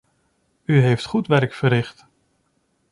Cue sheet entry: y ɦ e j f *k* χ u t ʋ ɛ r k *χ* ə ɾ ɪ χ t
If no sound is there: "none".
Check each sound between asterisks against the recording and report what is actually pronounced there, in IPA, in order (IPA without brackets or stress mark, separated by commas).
t, f